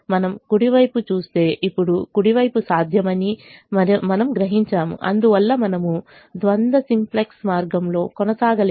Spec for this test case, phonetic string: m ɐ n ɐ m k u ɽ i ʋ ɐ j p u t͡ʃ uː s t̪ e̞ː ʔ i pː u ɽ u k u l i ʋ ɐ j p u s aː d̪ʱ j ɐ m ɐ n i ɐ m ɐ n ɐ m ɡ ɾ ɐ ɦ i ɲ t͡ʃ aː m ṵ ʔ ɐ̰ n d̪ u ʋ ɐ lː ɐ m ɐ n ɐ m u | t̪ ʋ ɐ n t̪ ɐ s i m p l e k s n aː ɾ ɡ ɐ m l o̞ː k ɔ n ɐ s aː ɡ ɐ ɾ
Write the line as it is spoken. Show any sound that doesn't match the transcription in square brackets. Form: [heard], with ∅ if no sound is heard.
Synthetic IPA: m ɐ n ɐ m k u ɽ i ʋ ɐ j p u t͡ʃ uː s t̪ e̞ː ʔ i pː u ɽ u k u [ɽ] i ʋ ɐ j p u s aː d̪ʱ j ɐ m ɐ n i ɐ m ɐ n ɐ m ɡ ɾ ɐ ɦ i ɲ t͡ʃ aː m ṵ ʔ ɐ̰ n d̪ u ʋ ɐ lː ɐ m ɐ n ɐ m u | [d̪] ʋ ɐ n [d̪] ɐ s i m p l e k s [m] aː ɾ ɡ ɐ m l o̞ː k ɔ n ɐ s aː ɡ ɐ [l]